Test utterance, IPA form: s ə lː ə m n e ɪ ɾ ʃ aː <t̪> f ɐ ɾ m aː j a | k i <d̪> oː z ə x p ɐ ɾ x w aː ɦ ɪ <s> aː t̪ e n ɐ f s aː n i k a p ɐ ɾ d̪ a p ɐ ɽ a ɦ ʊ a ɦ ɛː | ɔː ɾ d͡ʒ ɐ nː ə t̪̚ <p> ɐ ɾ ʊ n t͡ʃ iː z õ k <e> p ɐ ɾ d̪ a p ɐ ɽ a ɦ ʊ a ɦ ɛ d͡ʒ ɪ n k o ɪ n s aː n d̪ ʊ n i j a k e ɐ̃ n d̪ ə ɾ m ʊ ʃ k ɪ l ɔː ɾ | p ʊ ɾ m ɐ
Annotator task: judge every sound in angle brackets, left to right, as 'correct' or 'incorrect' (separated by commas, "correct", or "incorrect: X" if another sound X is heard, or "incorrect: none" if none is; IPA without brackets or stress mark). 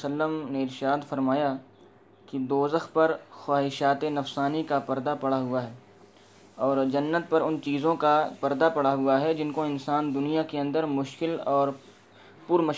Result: incorrect: d̪, correct, incorrect: ʃ, correct, incorrect: a